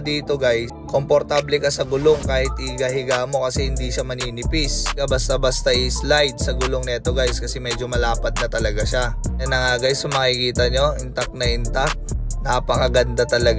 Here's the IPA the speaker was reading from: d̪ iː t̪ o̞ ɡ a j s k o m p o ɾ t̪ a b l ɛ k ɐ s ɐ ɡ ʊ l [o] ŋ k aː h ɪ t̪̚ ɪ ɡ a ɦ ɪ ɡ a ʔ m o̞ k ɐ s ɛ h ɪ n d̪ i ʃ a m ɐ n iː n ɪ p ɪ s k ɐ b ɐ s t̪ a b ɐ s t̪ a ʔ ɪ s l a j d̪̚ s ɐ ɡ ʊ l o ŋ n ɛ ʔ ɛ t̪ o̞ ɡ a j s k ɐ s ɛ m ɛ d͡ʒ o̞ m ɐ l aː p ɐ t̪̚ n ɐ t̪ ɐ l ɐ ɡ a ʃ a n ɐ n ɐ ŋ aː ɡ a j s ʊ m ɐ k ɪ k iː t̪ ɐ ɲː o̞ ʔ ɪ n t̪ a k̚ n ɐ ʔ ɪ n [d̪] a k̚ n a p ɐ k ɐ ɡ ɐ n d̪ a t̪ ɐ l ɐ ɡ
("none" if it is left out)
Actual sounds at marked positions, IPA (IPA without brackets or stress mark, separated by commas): o, t̪